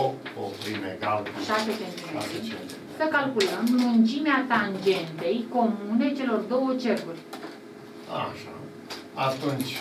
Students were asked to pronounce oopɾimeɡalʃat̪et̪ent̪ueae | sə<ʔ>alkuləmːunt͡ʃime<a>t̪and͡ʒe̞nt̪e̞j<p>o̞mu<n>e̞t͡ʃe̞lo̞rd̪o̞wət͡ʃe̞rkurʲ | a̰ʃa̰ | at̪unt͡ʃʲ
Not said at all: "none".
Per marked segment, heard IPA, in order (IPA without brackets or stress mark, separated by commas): k, a, k, n